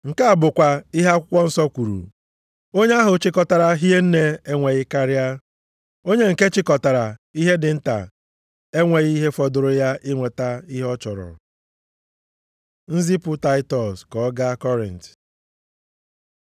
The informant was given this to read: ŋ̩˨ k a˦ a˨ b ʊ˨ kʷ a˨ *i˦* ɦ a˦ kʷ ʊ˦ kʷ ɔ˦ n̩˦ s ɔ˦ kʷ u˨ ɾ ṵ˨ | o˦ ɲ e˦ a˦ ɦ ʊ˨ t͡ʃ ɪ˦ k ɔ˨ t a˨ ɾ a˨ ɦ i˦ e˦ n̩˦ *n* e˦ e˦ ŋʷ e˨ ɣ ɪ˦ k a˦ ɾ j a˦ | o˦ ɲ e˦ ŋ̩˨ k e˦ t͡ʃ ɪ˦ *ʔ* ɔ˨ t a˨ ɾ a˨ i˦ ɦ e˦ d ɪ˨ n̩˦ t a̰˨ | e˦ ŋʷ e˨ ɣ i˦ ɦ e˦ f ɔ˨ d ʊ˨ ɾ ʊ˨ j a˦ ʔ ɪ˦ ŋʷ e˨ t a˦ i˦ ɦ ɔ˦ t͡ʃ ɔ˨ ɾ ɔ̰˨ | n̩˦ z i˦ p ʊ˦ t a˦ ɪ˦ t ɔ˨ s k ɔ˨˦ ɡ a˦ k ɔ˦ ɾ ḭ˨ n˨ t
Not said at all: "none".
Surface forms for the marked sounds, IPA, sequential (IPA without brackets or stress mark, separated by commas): i˦, n, k